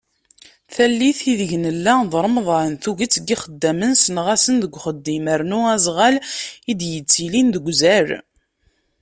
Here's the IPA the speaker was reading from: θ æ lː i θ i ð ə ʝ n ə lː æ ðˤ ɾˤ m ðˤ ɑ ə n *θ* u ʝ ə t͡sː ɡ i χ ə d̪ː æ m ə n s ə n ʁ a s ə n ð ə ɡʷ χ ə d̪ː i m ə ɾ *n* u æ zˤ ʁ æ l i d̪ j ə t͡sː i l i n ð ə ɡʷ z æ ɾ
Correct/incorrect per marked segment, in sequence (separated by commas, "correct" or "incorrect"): correct, correct